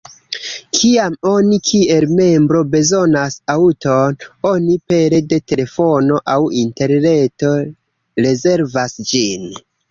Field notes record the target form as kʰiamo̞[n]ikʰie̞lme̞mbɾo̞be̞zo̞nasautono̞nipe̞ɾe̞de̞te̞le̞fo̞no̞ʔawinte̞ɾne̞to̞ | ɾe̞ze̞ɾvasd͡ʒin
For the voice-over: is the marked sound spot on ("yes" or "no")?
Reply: yes